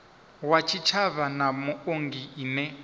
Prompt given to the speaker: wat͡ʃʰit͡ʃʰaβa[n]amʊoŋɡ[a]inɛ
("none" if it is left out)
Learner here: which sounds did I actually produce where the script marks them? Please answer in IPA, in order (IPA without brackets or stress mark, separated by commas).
n, i